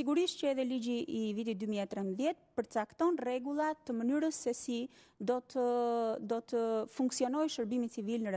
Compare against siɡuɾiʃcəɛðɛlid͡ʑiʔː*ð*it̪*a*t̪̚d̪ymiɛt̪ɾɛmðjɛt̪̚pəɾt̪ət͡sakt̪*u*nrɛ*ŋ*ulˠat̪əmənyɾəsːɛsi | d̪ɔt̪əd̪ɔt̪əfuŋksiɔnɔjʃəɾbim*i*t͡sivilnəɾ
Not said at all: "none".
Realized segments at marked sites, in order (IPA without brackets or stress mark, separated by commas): v, i, ɔ, ɡ, i